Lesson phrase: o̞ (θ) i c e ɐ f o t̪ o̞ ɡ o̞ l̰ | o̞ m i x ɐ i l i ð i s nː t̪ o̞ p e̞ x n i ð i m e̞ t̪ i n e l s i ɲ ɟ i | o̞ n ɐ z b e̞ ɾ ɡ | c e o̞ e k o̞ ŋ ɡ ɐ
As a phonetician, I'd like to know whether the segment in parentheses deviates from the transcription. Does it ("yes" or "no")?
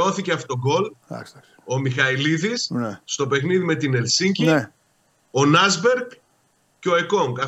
no